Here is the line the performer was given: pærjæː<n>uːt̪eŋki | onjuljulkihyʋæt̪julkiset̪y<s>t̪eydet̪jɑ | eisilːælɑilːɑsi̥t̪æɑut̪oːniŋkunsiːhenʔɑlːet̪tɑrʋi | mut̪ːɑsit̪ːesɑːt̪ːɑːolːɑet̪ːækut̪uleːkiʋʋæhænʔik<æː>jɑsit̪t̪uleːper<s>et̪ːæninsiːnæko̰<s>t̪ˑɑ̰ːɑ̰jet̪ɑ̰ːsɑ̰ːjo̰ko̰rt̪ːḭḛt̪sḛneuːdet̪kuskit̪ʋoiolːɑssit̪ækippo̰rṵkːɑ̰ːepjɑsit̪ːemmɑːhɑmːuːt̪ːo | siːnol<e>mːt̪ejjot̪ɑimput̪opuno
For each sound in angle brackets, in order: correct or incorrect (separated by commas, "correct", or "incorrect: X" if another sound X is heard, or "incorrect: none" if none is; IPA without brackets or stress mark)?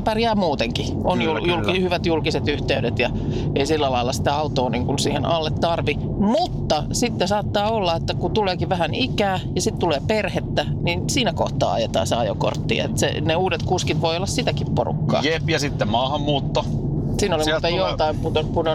incorrect: m, incorrect: h, correct, incorrect: h, incorrect: h, incorrect: i